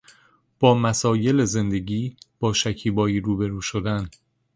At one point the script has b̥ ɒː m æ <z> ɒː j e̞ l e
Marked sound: incorrect: s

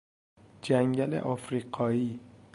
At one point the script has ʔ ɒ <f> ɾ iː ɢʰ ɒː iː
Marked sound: correct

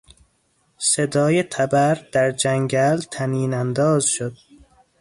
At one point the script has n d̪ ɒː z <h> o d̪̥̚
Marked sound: incorrect: ʃ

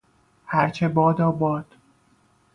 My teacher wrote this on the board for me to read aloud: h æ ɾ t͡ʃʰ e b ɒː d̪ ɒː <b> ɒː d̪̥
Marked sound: correct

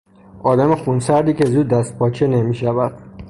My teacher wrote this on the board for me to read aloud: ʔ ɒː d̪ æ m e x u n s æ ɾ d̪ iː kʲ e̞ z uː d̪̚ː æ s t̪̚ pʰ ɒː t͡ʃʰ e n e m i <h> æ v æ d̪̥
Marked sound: incorrect: ʃ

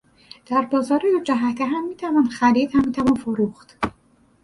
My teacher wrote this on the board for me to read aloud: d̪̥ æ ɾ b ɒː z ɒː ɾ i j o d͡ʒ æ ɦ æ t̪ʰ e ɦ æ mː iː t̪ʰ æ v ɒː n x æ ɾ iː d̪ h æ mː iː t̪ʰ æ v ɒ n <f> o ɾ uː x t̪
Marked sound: correct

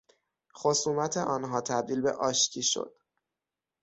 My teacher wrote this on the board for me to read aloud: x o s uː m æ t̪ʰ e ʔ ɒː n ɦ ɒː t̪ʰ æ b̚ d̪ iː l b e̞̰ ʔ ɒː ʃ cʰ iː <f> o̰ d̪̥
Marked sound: incorrect: ʃ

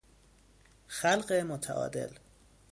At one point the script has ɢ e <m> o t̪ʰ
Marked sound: correct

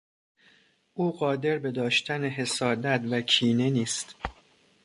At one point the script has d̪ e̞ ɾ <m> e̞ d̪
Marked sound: incorrect: b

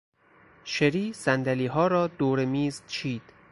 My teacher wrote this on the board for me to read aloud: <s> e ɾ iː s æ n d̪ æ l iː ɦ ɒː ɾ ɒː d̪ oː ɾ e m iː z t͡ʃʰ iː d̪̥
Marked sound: incorrect: ʃ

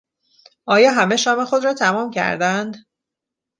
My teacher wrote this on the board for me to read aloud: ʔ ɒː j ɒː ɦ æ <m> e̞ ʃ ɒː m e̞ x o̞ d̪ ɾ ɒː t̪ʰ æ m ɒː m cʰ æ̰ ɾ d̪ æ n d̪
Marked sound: correct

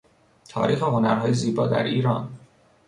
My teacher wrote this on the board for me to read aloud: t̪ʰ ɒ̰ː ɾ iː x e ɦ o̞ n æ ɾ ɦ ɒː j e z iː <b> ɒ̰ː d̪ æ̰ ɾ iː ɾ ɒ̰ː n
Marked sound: correct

